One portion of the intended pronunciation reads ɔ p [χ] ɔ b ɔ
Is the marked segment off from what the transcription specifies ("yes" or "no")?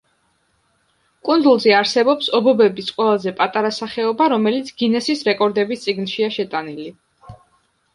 yes